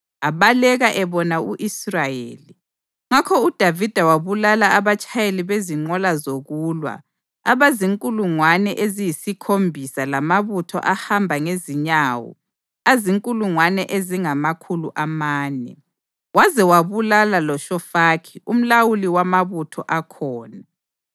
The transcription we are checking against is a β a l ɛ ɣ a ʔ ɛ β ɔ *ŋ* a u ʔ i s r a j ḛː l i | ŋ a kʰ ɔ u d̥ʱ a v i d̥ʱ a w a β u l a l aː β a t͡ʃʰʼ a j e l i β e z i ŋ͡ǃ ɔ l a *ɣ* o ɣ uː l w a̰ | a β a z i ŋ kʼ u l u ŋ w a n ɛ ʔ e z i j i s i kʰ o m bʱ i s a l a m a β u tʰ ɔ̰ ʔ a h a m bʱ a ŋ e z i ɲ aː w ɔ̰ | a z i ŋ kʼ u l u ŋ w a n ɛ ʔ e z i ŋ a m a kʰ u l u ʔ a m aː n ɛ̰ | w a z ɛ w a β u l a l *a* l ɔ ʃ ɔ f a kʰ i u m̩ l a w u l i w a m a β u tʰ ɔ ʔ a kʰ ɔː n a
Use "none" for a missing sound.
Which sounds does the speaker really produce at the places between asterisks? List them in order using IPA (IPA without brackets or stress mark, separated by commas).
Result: n, z, a